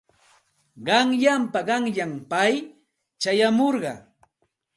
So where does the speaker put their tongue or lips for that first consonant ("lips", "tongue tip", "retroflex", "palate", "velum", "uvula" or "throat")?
uvula